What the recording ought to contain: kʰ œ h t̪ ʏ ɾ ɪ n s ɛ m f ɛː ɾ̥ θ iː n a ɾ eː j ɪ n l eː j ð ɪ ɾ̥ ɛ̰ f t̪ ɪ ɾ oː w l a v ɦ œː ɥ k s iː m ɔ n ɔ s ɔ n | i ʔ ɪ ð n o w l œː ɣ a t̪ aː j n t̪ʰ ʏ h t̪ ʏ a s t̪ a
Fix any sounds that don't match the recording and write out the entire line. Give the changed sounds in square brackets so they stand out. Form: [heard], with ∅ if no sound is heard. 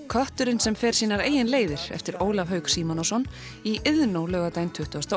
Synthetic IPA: kʰ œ h t̪ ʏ ɾ ɪ n s ɛ m f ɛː ɾ̥ [s] iː n a ɾ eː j ɪ n l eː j ð ɪ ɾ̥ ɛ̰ f t̪ ɪ ɾ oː w l a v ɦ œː ɥ k s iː m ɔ n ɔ s ɔ n | i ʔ ɪ ð n o w l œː ɣ a t̪ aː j n t̪ʰ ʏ h t̪ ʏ a s t̪ a